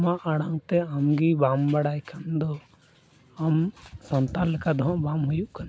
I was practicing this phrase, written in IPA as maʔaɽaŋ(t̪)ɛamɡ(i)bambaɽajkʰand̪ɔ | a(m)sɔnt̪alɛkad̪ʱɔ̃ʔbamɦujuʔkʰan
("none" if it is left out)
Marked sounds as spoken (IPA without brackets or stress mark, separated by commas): t̪, i, m